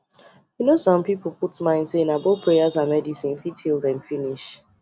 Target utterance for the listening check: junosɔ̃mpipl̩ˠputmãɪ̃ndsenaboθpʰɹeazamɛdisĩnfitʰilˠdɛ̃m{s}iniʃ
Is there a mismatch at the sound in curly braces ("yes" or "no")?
yes